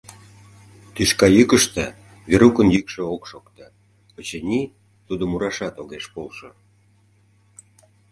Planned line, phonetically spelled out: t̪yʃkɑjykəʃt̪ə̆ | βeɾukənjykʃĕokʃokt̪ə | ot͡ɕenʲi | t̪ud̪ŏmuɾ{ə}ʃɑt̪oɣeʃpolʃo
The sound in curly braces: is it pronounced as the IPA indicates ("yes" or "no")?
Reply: no